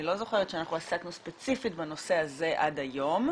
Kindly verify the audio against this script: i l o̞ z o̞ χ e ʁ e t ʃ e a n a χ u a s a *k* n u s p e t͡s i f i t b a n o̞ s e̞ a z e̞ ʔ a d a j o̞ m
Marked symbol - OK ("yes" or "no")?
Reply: yes